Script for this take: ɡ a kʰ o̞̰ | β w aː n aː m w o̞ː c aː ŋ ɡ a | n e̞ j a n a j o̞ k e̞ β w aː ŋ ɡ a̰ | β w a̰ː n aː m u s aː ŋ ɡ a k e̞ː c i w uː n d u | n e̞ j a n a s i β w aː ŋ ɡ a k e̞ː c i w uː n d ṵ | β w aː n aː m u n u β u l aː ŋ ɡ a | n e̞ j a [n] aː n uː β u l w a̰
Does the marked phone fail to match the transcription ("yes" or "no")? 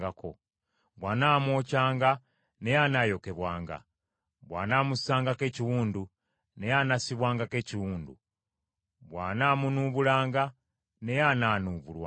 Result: no